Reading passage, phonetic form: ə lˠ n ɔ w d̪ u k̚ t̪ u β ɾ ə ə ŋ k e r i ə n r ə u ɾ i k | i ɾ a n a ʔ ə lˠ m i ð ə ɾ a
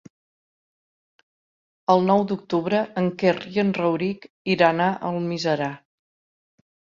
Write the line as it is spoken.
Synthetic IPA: ə lˠ n ɔ w d̪ u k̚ t̪ u β ɾ ə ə ŋ k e r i ə n r ə w ɾ i k | i ɾ a n a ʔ ə lˠ m i z ə ɾ a

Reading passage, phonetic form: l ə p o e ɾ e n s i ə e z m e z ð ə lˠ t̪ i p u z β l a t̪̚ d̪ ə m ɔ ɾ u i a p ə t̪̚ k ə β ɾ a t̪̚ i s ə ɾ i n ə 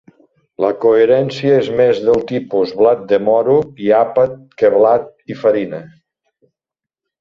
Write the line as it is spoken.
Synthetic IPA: l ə k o e ɾ ɛ n s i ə e z m e z ð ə lˠ t̪ i p u z β l a t̪̚ d̪ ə m ɔ ɾ u i a p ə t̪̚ k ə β l a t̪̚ i f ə ɾ i n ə

